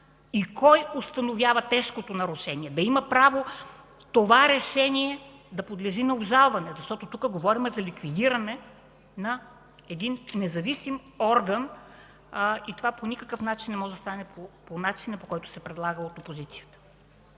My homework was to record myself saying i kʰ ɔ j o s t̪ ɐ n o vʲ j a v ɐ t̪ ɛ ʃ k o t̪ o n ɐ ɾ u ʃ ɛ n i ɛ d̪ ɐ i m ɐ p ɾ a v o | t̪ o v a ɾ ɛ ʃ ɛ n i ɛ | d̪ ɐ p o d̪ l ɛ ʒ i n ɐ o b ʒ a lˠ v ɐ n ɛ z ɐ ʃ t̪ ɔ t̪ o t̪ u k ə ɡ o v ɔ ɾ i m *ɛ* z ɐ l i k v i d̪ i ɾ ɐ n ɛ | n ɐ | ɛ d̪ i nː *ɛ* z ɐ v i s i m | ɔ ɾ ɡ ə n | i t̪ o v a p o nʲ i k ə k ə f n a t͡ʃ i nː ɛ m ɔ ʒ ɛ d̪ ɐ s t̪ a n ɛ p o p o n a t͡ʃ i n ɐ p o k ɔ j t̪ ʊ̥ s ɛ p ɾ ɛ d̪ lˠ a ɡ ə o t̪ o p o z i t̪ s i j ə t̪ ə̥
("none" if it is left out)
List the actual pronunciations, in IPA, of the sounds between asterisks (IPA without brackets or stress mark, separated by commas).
ɛ, ɛ